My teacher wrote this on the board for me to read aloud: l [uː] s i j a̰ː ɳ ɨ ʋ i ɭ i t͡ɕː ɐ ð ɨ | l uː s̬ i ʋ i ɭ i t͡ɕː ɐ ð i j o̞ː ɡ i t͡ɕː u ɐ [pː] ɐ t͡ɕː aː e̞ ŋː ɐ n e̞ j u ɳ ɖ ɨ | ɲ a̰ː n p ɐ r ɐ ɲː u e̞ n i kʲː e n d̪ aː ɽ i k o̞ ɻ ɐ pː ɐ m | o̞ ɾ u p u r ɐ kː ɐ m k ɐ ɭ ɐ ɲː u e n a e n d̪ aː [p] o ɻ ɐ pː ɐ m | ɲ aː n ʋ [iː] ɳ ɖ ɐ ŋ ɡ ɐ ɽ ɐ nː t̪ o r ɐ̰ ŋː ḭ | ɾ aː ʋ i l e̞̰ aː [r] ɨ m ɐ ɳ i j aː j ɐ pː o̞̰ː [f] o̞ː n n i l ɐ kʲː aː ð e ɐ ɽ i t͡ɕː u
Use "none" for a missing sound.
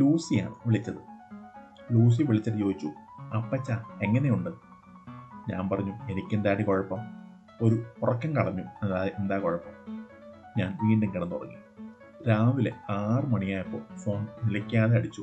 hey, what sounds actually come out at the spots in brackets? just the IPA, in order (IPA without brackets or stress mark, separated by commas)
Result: uː, pː, k, iː, r, f